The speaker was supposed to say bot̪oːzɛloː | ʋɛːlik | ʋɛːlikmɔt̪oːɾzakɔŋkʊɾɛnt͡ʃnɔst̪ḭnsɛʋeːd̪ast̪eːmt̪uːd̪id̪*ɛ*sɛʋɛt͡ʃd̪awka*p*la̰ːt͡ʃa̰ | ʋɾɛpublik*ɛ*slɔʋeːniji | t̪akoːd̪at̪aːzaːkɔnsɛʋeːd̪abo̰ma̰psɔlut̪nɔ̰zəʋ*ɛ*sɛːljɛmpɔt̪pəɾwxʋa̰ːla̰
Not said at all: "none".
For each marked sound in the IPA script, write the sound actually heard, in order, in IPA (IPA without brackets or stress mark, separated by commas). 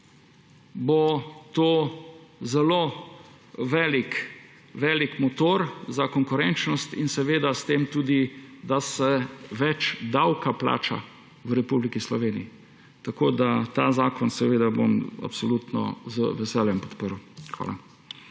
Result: a, p, i, ɛ